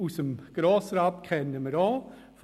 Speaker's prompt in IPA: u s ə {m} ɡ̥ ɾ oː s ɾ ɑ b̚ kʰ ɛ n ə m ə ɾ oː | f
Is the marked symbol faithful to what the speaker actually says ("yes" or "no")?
yes